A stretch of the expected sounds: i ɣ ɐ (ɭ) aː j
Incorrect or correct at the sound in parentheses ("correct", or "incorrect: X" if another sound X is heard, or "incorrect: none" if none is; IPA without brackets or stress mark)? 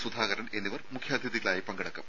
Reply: correct